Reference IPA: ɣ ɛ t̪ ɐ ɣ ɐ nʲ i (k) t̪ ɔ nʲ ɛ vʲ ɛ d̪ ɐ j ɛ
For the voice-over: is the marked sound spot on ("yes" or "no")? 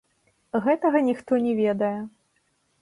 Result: no